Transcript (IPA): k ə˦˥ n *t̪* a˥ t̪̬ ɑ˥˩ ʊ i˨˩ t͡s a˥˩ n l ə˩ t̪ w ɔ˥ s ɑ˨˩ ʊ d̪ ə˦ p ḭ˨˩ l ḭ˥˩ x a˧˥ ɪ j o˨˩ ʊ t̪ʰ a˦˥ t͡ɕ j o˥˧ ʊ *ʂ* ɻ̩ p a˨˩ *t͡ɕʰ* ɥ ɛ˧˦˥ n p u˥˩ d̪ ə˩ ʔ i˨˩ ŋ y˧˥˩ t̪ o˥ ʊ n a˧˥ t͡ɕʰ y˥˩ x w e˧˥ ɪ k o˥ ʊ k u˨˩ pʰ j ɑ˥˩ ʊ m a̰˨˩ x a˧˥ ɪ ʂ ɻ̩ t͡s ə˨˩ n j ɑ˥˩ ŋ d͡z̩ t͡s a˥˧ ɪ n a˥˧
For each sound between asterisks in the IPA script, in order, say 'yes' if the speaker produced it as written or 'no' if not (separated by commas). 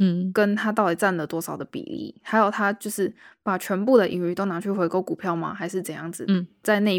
no, yes, yes